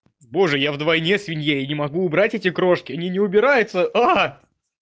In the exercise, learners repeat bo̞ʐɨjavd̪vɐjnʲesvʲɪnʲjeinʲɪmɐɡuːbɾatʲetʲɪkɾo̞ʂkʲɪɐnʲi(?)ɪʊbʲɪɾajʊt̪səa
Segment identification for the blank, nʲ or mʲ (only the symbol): nʲ